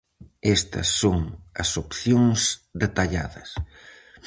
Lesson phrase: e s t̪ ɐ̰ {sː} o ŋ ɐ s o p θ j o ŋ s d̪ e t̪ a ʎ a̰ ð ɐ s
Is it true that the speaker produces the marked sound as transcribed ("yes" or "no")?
yes